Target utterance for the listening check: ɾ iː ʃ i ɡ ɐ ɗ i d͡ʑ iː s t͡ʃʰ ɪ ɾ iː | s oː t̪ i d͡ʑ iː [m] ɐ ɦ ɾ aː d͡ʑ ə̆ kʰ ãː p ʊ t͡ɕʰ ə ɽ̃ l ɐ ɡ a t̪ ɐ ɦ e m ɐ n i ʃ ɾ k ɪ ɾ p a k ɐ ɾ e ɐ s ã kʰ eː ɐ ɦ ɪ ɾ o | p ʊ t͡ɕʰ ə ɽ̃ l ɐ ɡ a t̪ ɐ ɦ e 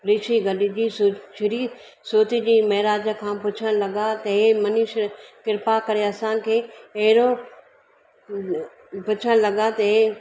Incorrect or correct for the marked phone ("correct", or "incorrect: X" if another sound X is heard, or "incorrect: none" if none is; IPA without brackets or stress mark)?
correct